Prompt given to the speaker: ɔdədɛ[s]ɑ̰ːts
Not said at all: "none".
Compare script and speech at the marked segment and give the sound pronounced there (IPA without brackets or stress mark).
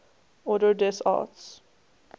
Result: s